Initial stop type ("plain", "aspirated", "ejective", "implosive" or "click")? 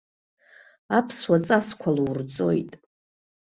aspirated